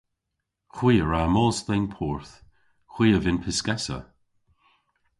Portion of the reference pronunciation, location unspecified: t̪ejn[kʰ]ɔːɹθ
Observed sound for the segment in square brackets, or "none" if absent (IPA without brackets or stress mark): pʰ